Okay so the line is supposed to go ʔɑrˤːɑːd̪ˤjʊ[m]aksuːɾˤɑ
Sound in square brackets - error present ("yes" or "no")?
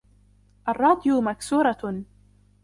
no